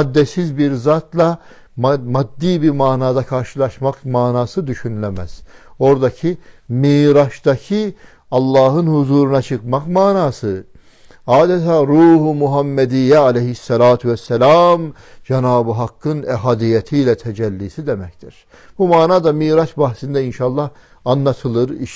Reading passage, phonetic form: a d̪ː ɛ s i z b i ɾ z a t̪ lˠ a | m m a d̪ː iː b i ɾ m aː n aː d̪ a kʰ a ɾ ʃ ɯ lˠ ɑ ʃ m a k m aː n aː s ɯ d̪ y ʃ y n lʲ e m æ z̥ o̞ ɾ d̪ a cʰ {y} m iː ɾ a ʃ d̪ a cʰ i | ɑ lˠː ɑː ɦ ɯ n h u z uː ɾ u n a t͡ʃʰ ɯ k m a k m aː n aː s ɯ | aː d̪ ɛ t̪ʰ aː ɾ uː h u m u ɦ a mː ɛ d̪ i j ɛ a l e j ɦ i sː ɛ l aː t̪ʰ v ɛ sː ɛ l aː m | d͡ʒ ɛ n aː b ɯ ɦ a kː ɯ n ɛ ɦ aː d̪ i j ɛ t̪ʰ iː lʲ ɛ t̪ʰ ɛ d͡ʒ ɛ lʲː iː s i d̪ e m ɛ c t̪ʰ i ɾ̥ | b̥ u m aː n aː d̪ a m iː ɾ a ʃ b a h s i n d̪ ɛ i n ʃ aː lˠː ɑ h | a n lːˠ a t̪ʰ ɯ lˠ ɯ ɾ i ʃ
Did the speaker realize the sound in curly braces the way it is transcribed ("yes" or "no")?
no